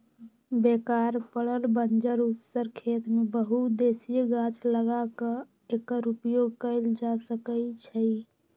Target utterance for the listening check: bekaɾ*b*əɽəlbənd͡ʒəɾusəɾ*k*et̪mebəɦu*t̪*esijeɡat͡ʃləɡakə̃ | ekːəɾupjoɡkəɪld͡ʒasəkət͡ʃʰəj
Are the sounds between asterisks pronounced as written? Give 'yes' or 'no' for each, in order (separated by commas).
no, no, no